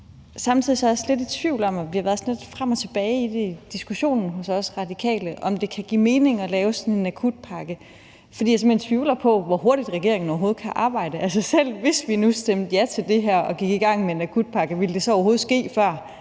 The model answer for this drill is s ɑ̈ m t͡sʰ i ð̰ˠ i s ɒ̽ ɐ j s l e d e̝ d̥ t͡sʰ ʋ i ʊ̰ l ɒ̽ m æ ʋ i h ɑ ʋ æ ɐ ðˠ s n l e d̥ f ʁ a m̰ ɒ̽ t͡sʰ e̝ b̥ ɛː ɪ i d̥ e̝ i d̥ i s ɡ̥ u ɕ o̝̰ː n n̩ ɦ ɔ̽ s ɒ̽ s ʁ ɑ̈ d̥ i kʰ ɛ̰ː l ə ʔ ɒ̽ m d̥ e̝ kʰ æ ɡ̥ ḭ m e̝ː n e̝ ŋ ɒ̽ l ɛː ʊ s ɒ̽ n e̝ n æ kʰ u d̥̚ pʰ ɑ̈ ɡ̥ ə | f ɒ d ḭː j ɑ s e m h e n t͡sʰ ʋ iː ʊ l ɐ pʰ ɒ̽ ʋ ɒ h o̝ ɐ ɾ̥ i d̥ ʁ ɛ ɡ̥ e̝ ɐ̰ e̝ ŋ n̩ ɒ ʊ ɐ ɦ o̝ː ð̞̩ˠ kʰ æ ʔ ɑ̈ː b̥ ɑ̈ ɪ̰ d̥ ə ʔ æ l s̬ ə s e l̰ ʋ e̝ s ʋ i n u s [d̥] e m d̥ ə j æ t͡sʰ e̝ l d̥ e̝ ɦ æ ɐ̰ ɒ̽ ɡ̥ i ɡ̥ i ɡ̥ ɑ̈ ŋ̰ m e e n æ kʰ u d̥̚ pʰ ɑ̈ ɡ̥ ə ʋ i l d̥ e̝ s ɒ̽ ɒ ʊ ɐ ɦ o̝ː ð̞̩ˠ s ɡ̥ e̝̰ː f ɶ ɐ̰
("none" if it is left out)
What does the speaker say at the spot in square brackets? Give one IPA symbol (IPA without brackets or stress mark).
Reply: d̥